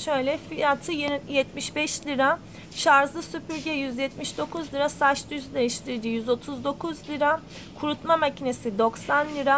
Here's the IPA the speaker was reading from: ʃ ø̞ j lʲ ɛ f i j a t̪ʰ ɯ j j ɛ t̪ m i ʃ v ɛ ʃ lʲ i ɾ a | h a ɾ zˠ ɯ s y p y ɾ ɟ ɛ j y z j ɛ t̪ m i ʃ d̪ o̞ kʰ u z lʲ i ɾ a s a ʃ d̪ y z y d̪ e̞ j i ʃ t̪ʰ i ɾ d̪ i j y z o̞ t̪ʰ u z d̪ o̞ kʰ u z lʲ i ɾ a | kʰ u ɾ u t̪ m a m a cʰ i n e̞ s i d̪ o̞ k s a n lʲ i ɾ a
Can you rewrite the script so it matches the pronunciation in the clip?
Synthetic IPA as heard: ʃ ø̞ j lʲ ɛ f i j a t̪ʰ ɯ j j ɛ t̪ m i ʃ b ɛ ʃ lʲ i ɾ a | ʃ a ɾ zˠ ɯ s y p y ɾ ɟ ɛ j y z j ɛ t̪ m i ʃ d̪ o̞ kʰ u z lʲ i ɾ a s a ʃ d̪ y z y d̪ e̞ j i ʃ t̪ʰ i ɾ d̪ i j y z o̞ t̪ʰ u z d̪ o̞ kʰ u z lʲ i ɾ a | kʰ u ɾ u t̪ m a m a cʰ i n e̞ s i d̪ o̞ k s a n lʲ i ɾ a

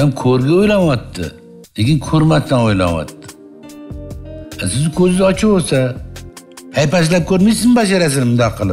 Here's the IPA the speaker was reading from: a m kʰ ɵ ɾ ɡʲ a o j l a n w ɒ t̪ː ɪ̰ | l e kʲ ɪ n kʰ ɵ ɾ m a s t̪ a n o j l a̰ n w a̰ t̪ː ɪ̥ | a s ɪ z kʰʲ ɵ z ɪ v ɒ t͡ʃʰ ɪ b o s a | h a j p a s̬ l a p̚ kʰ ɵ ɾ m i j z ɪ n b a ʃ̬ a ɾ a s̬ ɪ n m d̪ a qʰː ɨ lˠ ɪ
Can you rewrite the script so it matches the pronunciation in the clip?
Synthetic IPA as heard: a m kʰ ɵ ɾ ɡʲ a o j l a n w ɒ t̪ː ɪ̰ | l e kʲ ɪ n kʰ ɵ ɾ m a s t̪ a n o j l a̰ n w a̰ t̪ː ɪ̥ | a s ɪ z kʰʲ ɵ z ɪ z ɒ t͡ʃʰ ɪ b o s a | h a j p a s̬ l a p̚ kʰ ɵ ɾ m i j s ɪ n b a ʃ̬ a ɾ a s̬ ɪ n m d̪ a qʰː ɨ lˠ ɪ

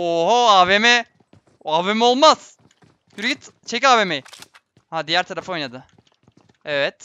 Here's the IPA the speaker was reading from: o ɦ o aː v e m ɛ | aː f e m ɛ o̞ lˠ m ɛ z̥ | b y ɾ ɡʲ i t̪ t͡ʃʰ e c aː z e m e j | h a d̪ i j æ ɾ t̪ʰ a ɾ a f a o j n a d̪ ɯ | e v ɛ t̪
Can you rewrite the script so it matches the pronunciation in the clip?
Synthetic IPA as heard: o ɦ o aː v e m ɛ | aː v e m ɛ o̞ lˠ m a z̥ | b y ɾ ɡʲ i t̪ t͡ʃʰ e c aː v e m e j | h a d̪ i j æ ɾ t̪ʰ a ɾ a f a o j n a d̪ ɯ | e v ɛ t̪

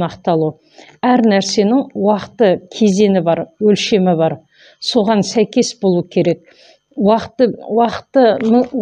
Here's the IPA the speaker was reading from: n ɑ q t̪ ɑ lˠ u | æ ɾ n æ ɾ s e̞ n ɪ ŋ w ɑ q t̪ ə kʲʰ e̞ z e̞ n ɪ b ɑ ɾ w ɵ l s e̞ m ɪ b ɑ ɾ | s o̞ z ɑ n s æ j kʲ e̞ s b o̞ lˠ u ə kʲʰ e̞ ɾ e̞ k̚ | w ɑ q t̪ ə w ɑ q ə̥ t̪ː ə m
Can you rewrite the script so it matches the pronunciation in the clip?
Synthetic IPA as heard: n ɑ q t̪ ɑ lˠ u | æ ɾ n æ ɾ s e̞ n ɪ ŋ w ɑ q t̪ ə kʲʰ e̞ z e̞ n ɪ b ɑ ɾ w ɵ l ʃ e̞ m ɪ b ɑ ɾ | s o̞ ʁ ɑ n s æ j kʲ e̞ s b o̞ lˠ u ə kʲʰ e̞ ɾ e̞ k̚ | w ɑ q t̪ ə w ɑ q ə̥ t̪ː ə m

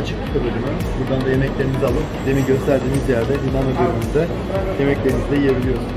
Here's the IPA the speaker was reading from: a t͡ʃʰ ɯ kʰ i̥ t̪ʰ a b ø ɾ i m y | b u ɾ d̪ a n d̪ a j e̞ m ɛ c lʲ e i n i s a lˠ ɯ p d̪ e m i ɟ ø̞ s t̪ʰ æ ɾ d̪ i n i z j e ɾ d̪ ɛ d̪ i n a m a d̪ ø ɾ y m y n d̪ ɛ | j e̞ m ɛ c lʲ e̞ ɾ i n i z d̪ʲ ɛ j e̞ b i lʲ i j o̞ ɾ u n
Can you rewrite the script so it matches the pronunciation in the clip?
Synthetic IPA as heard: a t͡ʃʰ ɯ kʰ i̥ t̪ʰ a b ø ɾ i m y | b u ɾ d̪ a n d̪ a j e̞ m ɛ c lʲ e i n i z a lˠ ɯ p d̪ e m i ɟ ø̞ s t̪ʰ æ ɾ d̪ iː n i z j æ ɾ d̪ ɛ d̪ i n a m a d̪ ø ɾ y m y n d̪ ɛ | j e̞ m ɛ c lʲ e̞ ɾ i n i z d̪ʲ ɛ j e̞ b i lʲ i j o̞ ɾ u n

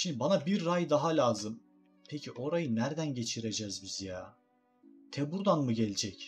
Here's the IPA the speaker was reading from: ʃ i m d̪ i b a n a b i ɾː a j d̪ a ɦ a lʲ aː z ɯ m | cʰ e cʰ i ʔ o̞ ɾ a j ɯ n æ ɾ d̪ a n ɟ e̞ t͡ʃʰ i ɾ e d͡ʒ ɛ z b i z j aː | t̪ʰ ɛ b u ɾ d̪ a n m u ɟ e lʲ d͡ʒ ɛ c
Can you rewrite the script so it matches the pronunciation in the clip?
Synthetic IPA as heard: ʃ i m d̪ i b a n a b i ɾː a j d̪ a ɦ a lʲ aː z ɯ m | pʰ e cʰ i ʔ o̞ ɾ a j ɯ n æ ɾ d̪ æ n ɟ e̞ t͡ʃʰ i ɾ e d͡ʒ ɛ z b i z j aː | t̪ʰ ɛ b u ɾ d̪ a n m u ɟ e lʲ d͡ʒ ɛ c

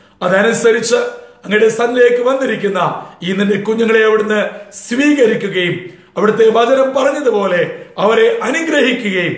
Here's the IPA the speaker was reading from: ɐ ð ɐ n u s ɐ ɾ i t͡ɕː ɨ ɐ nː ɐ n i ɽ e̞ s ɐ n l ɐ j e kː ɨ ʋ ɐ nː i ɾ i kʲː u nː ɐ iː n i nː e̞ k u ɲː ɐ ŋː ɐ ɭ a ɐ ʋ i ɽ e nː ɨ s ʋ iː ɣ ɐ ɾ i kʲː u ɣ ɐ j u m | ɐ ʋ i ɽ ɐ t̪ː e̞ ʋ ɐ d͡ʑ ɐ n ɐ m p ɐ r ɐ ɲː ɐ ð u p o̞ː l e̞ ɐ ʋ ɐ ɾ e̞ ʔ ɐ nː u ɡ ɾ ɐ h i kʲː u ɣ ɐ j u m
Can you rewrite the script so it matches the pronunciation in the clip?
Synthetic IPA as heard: ɐ ð ɐ n u s ɐ ɾ i t͡ɕː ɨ ɐ ŋː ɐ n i ɽ e̞ s ɐ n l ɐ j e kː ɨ ʋ ɐ nː i ɾ i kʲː u nː ɐ iː n i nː e̞ k u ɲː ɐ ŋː ɐ ɭ e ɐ ʋ i ɽ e nː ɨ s ʋ iː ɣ ɐ ɾ i kʲː u ɣ ɐ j u m | ɐ ʋ i ɽ ɐ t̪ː e̞ ʋ ɐ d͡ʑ ɐ n ɐ m p ɐ r ɐ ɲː ɐ ð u p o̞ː l e̞ ɐ ʋ ɐ ɾ e̞ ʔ ɐ n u ɡ ɾ ɐ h i kʲː u ɣ ɐ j u m

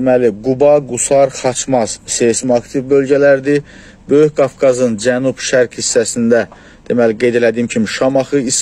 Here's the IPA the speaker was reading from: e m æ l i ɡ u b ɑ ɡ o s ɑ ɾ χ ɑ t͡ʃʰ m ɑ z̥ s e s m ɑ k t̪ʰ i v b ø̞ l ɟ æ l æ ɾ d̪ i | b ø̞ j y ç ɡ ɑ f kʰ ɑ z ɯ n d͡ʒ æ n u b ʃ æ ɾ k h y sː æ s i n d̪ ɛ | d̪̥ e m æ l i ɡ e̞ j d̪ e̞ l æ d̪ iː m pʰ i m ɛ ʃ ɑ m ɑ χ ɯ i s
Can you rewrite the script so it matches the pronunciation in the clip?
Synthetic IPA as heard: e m æ l i ɡ u b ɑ ɡ u s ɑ ɾ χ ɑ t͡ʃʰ m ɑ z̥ s e s m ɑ k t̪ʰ i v b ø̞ l ɟ æ l æ ɾ d̪ i | b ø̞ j y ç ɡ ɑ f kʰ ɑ z ɯ n d͡ʒ æ n u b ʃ æ ɾ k h i sː æ s i n d̪ æ | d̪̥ e m æ l i ɡ e̞ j d̪ e̞ l æ d̪ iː m cʰ i m i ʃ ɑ m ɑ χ ɯ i s

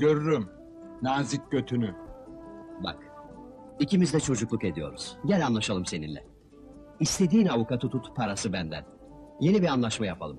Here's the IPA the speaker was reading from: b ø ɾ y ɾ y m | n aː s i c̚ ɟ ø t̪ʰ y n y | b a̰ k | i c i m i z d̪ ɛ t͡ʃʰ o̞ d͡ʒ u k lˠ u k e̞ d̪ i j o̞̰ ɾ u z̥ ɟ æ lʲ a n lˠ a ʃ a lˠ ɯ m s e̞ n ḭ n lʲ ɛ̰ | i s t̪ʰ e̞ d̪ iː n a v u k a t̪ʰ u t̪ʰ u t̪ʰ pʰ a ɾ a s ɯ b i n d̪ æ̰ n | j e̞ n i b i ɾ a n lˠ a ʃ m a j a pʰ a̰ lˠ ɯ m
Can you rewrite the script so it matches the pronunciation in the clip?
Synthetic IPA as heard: ɟ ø ɾ y ɾ y m | n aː z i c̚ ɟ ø t̪ʰ y n y | b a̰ k | i c i m i z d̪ ɛ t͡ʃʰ o̞ d͡ʒ u k lˠ u k e̞ d̪ i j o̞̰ ɾ u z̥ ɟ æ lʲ a n lˠ a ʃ a lˠ ɯ m s e̞ n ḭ n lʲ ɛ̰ | i s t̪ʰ e̞ d̪ iː n a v u k a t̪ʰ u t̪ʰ u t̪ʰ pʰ a ɾ a s ɯ b æ n d̪ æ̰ n | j e̞ n i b i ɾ a n lˠ a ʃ m a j a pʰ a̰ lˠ ɯ m

